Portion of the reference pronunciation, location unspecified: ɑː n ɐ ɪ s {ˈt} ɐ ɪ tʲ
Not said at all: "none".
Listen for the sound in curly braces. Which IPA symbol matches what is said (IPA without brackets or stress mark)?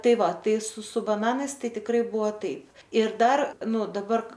t